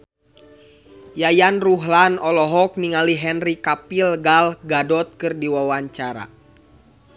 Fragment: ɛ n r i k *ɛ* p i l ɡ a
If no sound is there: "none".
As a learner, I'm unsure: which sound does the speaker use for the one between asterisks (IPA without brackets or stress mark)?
a